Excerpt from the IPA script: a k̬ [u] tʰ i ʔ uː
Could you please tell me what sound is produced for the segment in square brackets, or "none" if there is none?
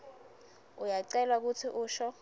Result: u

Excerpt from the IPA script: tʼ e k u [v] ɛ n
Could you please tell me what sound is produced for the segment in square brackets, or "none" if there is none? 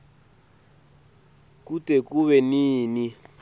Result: β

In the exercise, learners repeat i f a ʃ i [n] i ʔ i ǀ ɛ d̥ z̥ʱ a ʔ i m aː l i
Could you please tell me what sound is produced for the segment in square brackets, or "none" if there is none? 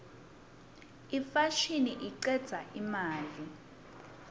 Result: n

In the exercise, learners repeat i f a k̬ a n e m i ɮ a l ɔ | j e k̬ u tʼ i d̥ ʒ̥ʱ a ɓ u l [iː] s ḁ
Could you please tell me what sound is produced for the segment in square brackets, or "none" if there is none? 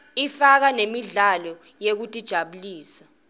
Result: iː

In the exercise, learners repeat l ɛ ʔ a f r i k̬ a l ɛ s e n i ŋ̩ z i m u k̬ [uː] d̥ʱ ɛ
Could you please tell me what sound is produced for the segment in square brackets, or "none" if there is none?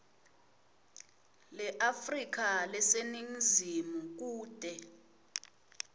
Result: uː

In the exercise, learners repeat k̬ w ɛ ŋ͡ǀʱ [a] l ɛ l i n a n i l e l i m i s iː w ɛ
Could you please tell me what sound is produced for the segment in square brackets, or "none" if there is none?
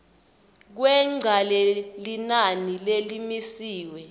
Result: a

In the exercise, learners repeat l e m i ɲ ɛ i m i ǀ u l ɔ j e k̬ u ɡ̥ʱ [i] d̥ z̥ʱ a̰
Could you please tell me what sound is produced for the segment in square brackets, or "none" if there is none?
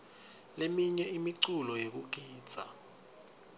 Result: iː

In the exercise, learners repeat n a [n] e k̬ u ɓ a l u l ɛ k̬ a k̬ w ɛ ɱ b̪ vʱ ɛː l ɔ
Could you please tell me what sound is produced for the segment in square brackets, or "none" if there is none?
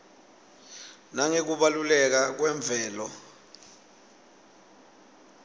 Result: ŋ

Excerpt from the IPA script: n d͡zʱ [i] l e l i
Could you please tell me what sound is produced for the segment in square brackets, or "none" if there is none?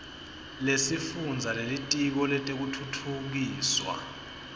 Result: a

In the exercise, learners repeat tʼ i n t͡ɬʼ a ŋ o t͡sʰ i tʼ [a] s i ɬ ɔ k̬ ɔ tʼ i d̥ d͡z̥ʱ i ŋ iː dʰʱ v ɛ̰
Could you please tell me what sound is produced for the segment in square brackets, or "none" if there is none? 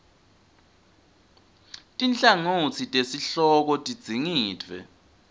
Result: e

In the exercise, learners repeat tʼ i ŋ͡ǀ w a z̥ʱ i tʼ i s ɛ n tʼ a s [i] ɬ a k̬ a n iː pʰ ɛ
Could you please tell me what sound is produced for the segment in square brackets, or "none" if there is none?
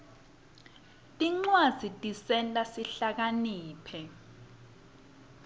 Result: i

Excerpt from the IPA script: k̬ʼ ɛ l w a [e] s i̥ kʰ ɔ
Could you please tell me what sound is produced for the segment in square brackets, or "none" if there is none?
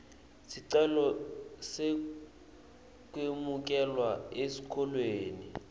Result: e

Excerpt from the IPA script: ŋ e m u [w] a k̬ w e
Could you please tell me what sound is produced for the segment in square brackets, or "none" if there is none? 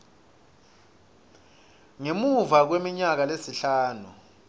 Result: v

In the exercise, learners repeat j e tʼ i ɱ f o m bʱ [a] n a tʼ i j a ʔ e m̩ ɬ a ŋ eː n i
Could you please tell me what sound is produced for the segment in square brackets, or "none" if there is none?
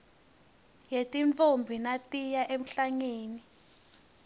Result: i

